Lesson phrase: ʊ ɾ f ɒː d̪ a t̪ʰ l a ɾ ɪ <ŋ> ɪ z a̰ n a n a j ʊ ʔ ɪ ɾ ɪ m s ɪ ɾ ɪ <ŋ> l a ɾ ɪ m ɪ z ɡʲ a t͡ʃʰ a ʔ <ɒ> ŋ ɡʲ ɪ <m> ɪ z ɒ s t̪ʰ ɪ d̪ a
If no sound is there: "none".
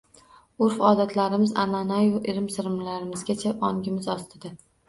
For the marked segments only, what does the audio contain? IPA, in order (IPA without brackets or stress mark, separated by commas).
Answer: m, m, ɒ, m